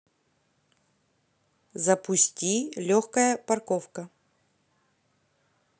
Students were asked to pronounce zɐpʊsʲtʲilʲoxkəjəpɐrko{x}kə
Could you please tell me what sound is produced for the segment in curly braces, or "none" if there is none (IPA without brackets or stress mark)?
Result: f